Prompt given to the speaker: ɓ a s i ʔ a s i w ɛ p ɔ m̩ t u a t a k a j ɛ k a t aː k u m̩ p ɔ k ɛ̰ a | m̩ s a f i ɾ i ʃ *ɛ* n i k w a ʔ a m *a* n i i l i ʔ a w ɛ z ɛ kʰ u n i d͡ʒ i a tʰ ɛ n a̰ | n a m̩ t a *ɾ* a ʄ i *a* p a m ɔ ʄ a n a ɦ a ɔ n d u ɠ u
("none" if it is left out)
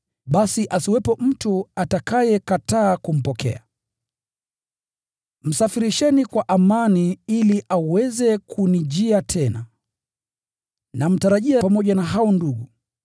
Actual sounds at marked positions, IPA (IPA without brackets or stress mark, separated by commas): ɛ, a, ɾ, a